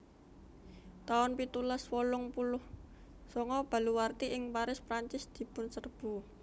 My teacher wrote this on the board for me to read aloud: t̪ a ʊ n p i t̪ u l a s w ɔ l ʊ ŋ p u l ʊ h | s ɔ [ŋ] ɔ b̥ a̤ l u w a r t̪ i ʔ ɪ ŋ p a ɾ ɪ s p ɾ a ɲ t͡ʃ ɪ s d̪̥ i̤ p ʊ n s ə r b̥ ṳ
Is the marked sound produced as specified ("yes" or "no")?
yes